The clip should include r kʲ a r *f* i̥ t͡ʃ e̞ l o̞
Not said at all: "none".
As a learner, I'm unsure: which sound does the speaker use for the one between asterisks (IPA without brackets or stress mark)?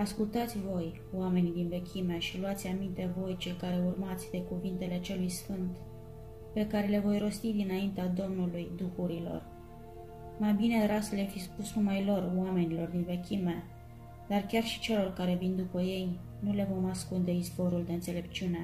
ʃ